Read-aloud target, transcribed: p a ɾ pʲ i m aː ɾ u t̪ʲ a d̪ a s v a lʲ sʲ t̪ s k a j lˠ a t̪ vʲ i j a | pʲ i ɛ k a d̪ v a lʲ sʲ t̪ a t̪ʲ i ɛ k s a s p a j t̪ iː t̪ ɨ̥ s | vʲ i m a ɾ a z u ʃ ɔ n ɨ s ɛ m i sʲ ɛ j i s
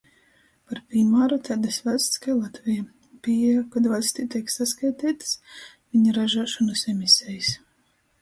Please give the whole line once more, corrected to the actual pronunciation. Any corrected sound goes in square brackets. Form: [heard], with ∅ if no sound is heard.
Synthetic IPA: p a ɾ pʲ i m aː ɾ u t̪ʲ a d̪ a s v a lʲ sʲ t̪ s k a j lˠ a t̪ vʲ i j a | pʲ i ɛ k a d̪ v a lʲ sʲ t̪ [i] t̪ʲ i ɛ k s a s [k] a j t̪ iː t̪ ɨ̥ s | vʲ i [ɲ] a ɾ a [ʒ] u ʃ ɔ n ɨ s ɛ m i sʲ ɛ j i s